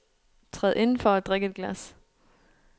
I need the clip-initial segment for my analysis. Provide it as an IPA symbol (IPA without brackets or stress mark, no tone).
t͡sʰ